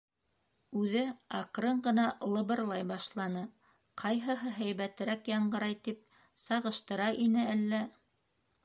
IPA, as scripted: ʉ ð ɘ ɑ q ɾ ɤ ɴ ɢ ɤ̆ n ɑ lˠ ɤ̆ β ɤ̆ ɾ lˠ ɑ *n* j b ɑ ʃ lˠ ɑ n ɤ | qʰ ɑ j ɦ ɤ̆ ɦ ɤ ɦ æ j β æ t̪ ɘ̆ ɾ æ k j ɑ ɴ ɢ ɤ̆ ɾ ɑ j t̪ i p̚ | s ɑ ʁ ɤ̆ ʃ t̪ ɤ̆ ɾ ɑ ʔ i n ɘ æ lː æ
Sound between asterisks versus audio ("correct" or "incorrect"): incorrect